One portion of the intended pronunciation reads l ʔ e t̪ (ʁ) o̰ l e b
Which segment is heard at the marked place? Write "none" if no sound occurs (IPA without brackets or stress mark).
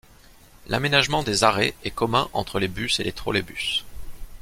χ